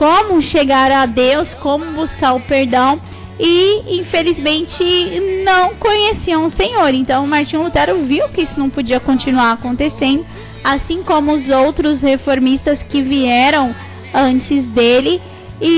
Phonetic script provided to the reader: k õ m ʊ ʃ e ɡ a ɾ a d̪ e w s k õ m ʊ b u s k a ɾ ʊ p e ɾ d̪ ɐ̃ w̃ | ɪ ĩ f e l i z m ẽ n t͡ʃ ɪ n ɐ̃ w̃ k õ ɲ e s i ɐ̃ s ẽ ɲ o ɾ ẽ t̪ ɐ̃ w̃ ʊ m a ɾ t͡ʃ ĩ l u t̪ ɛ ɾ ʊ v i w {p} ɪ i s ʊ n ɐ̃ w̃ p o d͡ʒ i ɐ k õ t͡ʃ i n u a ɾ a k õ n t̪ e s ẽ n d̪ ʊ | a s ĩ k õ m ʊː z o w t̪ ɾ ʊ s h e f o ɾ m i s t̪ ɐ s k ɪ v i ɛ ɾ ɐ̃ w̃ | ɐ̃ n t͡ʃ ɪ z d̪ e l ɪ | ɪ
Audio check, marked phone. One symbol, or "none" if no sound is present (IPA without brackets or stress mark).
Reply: k